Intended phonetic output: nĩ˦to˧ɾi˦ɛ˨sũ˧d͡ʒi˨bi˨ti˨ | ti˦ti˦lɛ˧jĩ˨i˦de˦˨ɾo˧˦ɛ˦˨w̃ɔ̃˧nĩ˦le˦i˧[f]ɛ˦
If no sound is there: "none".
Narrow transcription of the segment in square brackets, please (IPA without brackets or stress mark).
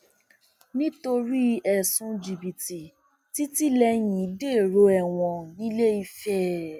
f